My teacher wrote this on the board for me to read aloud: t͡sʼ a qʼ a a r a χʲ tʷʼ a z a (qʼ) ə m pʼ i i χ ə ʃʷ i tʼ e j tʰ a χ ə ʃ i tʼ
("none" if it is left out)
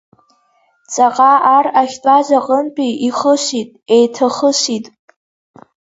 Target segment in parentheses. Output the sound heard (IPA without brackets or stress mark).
qʼ